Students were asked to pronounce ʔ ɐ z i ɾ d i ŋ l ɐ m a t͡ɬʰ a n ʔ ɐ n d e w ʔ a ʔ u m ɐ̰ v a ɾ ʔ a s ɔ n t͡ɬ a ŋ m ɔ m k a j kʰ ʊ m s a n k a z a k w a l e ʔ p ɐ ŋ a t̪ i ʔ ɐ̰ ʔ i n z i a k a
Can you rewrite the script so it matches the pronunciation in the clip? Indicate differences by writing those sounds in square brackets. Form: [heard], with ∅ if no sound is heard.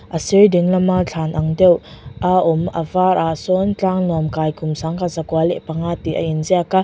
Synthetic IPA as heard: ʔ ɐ [s] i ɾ d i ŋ l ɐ m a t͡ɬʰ a n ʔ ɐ [ŋ] d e w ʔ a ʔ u m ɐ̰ v a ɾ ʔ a s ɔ n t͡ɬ a ŋ [n] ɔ m k a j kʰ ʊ m s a [ŋ] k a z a k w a l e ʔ p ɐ ŋ a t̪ i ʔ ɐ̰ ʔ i n z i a k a